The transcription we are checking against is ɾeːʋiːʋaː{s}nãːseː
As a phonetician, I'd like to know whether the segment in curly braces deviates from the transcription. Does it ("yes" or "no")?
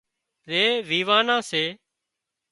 yes